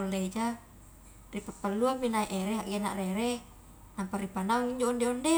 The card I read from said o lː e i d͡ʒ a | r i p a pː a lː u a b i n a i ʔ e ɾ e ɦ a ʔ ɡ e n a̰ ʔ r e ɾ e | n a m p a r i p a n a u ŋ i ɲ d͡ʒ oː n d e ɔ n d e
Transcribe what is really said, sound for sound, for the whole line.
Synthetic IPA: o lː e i d͡ʒ a | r i p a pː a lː u a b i n a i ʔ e ɾ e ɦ a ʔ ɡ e n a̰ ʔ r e ɾ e | n a m p a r i p a n a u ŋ i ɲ d͡ʒ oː n d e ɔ n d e